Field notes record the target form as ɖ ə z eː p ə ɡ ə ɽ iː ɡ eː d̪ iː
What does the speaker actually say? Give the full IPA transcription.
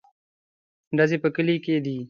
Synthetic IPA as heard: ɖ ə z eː p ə k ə l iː k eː d̪ iː